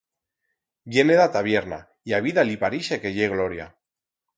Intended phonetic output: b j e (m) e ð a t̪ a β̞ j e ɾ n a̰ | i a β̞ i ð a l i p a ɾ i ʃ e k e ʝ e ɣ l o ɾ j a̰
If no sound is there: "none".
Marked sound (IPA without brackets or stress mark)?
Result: n